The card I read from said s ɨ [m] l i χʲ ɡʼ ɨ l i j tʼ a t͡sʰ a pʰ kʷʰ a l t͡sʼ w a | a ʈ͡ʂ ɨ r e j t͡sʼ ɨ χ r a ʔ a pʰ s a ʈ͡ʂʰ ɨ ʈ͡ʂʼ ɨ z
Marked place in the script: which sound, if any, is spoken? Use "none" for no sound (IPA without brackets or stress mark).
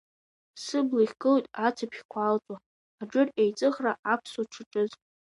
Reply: b